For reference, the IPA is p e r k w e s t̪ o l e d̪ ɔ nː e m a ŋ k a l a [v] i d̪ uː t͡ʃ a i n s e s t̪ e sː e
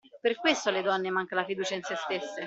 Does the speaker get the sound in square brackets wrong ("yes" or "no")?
yes